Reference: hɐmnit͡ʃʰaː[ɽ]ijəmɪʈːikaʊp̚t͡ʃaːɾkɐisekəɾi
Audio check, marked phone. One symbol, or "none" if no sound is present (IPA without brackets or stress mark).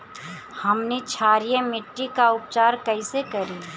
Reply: ɾ